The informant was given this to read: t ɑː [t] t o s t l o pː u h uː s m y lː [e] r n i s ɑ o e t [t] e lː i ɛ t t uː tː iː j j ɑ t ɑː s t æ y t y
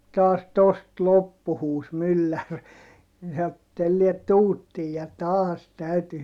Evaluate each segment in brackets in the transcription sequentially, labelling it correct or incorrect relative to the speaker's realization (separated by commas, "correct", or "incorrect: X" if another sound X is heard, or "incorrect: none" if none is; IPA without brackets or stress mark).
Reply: incorrect: s, incorrect: æ, correct